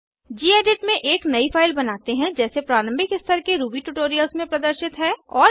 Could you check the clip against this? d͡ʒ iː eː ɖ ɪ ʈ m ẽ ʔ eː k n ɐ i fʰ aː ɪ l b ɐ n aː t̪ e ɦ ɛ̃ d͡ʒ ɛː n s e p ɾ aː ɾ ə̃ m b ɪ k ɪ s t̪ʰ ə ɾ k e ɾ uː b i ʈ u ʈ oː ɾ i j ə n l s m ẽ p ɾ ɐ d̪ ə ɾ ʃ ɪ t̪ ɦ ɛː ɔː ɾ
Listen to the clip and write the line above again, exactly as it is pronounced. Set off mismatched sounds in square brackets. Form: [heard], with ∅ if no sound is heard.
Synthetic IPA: d͡ʒ iː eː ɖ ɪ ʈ m ẽ ʔ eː k n ɐ i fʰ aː ɪ l b ɐ n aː t̪ e ɦ ɛ̃ d͡ʒ ɛː [∅] s e p ɾ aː ɾ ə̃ m b ɪ k ɪ s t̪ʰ ə ɾ k e ɾ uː b i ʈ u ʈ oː ɾ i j ə [∅] l s m ẽ p ɾ ɐ d̪ ə ɾ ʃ ɪ t̪ ɦ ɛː ɔː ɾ